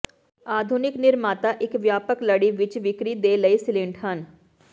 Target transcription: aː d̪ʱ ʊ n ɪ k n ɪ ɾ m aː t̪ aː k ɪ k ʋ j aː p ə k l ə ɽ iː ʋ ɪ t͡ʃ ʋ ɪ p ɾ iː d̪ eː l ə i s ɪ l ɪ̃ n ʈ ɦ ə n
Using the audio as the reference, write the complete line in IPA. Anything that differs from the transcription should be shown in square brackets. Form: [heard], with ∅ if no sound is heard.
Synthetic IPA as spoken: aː d̪ʱ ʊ n ɪ k n ɪ ɾ m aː t̪ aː [ʔ] ɪ k ʋ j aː p ə k l ə ɽ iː ʋ ɪ t͡ʃ ʋ ɪ [k] ɾ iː d̪ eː l ə i s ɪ l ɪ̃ [ɳ] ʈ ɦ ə n